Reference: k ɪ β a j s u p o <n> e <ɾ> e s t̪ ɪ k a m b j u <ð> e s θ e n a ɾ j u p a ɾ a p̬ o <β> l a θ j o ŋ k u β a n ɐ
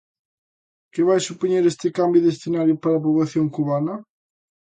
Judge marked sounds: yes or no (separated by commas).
no, yes, yes, yes